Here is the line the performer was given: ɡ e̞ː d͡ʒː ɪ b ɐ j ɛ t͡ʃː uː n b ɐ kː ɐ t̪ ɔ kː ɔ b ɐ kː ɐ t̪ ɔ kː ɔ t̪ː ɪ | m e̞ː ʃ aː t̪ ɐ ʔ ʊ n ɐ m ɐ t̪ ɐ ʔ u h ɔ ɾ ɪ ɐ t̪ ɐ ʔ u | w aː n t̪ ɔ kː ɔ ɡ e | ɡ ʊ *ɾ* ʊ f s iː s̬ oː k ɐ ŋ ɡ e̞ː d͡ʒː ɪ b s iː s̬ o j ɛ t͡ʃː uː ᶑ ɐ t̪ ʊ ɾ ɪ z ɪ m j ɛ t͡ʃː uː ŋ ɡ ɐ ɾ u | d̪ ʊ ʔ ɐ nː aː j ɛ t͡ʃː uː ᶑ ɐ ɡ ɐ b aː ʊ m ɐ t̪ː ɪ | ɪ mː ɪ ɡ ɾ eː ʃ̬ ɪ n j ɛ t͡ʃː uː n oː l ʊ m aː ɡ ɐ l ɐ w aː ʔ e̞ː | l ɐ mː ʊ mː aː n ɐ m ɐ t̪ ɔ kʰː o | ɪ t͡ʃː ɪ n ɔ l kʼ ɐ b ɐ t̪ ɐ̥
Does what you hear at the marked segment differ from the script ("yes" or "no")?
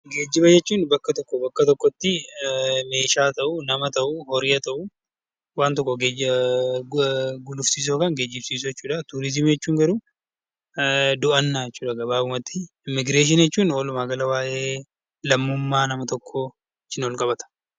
yes